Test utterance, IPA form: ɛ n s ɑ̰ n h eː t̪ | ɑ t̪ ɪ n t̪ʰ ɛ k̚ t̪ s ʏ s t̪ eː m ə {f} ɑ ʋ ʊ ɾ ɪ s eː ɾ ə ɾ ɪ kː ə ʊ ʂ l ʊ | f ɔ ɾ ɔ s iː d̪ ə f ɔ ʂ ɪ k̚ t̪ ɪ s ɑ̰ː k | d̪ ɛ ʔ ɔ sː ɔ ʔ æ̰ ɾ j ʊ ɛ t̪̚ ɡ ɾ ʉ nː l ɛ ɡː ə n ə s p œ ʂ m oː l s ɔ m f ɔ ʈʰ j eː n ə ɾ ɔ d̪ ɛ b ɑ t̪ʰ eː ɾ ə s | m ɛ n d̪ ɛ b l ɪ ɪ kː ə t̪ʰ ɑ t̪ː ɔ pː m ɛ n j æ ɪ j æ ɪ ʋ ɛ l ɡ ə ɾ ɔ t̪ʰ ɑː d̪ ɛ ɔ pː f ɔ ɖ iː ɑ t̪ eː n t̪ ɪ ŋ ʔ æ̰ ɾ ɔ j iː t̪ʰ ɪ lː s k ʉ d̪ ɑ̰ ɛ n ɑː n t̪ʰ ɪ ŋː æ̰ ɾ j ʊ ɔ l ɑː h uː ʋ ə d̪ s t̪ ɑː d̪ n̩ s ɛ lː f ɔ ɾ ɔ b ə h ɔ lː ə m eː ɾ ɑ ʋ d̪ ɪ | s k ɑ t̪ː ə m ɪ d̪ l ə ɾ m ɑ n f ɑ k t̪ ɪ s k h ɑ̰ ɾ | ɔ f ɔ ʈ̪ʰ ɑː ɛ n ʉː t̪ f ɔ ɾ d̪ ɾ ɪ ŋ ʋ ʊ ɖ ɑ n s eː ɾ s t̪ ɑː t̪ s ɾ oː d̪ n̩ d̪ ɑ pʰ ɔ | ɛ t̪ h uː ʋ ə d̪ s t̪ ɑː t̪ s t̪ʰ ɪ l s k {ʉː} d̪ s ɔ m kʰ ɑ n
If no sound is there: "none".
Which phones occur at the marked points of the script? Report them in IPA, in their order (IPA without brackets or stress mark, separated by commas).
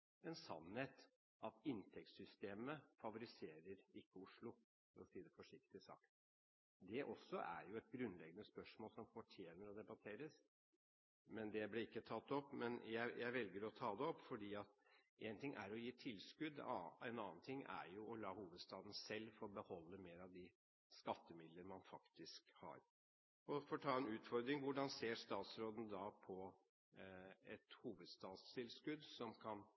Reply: f, ʉ